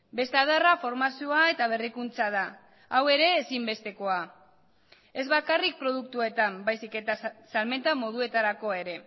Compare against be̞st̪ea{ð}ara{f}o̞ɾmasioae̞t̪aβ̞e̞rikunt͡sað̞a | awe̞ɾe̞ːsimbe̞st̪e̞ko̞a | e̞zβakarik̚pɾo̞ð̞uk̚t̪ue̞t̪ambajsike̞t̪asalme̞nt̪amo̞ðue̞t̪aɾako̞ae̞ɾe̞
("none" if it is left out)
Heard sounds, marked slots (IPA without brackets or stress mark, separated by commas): ð, f